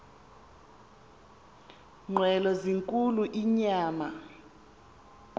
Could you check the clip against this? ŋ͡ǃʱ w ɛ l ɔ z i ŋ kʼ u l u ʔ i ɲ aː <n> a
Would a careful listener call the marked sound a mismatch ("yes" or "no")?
yes